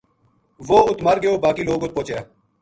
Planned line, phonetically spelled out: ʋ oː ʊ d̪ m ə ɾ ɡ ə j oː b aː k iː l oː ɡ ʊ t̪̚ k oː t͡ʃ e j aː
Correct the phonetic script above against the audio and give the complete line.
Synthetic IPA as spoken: ʋ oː ʊ t̪ m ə ɾ ɡ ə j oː b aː k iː l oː ɡ ʊ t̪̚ p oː t͡ʃ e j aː